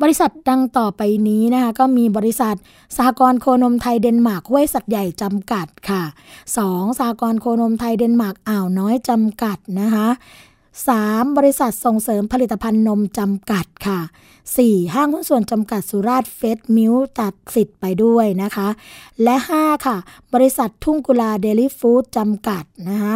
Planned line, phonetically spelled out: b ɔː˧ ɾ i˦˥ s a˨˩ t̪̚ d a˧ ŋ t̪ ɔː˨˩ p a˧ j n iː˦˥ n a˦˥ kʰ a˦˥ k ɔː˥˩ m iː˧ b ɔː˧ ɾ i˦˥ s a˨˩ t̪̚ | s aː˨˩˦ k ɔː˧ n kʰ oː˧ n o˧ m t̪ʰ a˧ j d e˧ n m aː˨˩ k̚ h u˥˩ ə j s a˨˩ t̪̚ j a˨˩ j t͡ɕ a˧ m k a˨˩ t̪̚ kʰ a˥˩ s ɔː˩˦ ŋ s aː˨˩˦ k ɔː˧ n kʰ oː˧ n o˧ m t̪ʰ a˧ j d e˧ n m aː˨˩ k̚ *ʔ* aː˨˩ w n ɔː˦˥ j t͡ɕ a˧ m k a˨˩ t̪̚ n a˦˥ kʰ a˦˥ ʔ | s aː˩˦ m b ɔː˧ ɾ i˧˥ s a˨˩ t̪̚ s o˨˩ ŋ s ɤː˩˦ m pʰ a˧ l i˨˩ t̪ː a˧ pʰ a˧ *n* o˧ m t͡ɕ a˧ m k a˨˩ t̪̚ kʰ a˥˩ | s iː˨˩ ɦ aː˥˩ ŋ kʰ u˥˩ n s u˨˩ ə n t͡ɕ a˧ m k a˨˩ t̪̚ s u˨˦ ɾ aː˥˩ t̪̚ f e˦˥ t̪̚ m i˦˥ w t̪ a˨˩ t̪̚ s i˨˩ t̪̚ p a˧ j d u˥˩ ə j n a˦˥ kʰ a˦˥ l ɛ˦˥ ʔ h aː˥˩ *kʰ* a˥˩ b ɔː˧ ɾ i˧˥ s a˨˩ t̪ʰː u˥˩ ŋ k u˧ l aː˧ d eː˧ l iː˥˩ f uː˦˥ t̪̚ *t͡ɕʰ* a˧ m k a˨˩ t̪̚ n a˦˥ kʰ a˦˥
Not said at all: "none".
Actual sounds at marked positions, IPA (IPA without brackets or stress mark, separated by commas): ʔ, nː, kʰ, t͡ɕ